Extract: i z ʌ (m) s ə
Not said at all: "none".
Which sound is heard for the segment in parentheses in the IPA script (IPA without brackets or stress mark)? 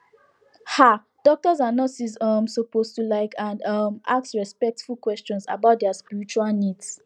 m